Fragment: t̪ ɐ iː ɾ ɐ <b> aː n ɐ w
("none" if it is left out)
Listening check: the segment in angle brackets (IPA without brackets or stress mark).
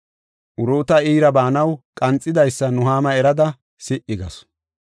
b